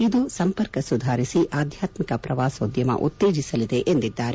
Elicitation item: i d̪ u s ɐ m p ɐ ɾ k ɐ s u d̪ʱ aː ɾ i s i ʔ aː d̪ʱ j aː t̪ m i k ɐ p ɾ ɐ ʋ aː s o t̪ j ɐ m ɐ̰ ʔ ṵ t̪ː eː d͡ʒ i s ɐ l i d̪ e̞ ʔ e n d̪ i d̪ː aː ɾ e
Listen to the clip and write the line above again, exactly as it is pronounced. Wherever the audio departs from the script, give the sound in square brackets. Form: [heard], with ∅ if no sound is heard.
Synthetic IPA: i d̪ u s ɐ m p ɐ ɾ k ɐ s u d̪ʱ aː ɾ i s i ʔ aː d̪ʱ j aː t̪ m i k ɐ p ɾ ɐ ʋ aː s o [d̪] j ɐ m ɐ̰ ʔ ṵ t̪ː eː d͡ʒ i s ɐ l i d̪ e̞ ʔ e n d̪ i d̪ː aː ɾ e